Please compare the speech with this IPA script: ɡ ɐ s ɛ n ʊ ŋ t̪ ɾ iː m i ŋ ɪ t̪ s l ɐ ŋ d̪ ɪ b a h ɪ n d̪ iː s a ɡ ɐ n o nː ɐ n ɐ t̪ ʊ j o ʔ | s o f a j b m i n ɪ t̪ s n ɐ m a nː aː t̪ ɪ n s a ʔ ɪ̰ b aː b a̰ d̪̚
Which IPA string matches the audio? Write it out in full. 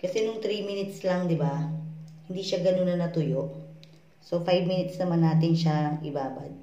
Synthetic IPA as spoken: k ɐ s ɛ n ʊ ŋ t̪ ɾ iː m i n ɪ t̪ s l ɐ ŋ d̪ ɪ b a h ɪ n d̪ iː ʃ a ɡ ɐ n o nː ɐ n ɐ t̪ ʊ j o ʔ | s o f a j b m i n ɪ t̪ s n ɐ m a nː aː t̪ ɪ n ʃ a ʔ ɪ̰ b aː b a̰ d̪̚